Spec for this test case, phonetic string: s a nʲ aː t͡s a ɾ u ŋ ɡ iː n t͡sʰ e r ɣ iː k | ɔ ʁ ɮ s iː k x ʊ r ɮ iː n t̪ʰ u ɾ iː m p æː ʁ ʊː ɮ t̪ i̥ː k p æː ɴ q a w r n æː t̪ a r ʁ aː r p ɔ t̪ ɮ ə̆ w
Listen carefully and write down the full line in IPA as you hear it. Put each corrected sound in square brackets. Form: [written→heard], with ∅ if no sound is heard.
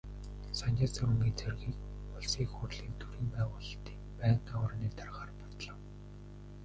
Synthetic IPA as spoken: s a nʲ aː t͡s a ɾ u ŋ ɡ iː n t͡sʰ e r ɣ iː k | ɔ [ʁ→∅] ɮ s iː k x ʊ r ɮ iː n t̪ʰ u ɾ iː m p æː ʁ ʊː ɮ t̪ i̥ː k p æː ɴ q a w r n [æː→iː] t̪ a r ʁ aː r p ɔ t̪ ɮ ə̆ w